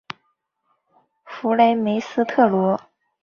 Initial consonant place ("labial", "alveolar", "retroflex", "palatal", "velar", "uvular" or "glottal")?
labial